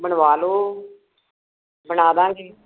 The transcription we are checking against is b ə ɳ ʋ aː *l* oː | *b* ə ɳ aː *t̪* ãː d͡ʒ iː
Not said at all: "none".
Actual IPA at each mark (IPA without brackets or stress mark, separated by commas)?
l, b, d̪